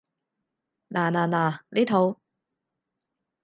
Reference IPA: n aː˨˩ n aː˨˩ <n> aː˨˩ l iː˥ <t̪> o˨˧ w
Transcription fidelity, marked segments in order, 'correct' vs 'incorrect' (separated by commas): correct, incorrect